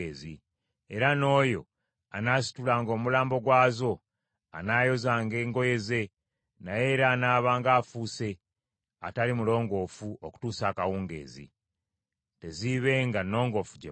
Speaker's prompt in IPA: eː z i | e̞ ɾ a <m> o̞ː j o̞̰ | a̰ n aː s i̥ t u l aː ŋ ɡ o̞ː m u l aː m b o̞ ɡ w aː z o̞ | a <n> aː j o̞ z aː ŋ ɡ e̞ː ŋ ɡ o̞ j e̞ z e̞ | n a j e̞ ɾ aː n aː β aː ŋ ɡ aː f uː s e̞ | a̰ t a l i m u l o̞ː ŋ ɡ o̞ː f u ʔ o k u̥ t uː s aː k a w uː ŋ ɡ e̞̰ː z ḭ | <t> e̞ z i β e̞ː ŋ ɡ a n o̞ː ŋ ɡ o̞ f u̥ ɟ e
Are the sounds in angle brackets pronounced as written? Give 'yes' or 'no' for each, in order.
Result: no, yes, yes

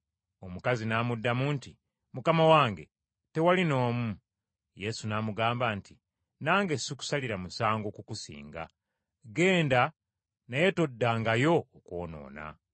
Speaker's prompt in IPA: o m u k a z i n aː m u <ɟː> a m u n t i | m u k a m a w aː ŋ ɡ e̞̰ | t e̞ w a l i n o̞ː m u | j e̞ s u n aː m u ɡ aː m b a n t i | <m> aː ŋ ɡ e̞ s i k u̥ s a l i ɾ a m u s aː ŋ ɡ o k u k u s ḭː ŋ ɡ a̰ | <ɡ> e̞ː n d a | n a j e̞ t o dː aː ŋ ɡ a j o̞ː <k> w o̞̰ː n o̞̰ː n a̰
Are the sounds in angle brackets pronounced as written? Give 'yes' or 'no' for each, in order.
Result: no, no, yes, yes

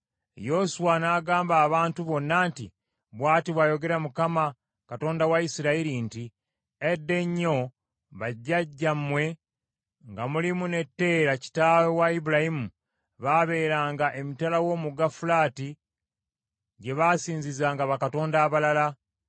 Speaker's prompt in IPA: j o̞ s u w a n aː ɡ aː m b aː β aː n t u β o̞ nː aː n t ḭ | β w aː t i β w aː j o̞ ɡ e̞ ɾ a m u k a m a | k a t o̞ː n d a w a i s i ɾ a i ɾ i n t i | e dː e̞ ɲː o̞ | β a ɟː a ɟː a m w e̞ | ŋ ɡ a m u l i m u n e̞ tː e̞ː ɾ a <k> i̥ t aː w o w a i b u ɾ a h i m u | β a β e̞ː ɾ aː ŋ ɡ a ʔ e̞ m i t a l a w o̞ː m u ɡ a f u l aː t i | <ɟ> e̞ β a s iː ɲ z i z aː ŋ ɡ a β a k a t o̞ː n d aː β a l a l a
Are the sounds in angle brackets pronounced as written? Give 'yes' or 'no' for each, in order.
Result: no, yes

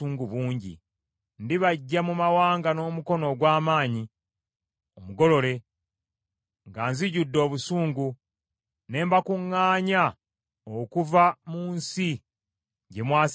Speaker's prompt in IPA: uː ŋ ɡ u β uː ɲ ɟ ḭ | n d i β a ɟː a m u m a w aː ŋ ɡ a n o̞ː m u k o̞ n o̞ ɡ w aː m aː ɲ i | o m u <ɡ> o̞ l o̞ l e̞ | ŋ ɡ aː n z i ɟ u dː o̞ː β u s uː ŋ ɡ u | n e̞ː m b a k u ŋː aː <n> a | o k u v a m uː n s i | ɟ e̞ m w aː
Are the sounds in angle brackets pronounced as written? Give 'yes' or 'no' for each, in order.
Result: yes, no

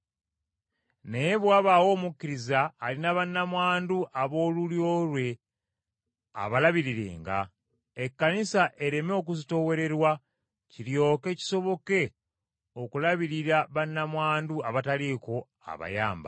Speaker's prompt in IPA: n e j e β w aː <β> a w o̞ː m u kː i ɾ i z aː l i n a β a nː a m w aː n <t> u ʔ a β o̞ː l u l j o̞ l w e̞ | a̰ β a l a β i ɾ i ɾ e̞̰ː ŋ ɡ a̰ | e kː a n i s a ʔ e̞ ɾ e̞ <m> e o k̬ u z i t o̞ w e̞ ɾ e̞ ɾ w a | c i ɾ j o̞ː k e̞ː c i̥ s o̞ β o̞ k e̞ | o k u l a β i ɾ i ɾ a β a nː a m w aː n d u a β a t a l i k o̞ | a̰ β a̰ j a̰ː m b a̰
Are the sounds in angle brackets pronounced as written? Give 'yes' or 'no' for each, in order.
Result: yes, no, yes

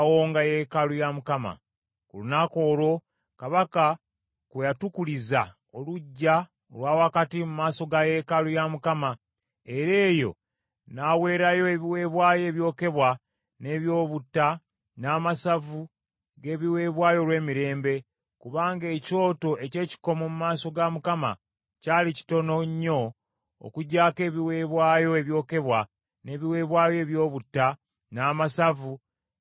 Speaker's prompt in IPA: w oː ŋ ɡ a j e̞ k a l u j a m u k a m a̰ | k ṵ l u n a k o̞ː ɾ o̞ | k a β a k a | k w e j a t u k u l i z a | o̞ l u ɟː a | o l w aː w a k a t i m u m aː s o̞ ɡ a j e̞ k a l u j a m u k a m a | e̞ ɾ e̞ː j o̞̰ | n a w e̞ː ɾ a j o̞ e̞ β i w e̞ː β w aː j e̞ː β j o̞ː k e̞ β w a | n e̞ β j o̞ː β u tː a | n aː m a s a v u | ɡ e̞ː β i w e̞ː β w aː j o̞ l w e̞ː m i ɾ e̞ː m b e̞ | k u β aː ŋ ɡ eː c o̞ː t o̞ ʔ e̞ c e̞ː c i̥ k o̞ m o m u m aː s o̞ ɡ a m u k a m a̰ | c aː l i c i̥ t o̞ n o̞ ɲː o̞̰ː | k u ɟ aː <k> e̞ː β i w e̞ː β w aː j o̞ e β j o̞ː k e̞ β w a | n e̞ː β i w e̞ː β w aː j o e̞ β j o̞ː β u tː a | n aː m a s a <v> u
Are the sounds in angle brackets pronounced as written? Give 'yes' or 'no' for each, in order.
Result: yes, yes

